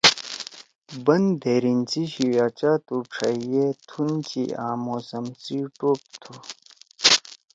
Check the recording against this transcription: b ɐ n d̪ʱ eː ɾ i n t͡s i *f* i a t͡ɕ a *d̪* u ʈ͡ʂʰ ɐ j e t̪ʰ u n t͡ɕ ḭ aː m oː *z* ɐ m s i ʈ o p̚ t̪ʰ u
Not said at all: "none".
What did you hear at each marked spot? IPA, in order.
ɕ, t̪, s

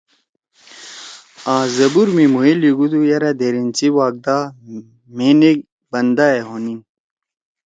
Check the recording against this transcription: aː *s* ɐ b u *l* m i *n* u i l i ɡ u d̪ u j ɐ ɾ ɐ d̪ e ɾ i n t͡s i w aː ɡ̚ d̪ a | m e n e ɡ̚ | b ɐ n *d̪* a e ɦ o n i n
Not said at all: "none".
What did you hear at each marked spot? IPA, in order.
z, ɾ, m, d̪

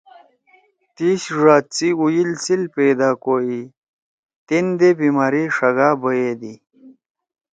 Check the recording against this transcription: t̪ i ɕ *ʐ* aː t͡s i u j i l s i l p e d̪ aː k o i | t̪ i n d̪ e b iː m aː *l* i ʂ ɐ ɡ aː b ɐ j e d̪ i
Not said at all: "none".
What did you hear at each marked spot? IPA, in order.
ʐ, ɾ

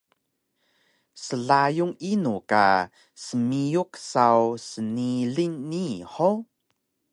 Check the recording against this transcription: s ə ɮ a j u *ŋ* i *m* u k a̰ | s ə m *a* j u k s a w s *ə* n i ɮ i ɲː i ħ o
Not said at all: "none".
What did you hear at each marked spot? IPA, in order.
ŋ, n, i, ə

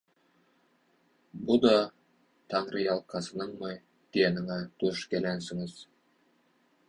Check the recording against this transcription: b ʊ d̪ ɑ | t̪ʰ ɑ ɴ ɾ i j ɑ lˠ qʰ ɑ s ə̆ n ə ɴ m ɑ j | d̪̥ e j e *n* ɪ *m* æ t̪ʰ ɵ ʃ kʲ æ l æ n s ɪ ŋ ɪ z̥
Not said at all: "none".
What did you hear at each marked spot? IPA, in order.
n, ŋ

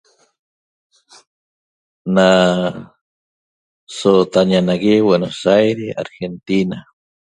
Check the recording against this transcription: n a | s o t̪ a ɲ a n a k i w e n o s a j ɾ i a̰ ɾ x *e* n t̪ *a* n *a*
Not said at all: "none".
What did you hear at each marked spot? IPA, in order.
e, i, a

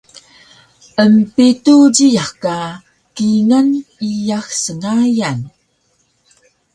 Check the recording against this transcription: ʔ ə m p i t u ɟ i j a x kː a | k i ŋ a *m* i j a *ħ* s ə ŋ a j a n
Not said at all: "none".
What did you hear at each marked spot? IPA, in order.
n, x

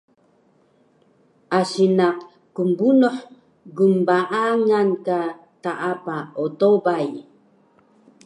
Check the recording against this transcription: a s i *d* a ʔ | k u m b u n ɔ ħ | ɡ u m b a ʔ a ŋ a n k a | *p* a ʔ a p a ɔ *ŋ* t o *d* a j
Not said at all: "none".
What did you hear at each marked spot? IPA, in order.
n, t, none, b

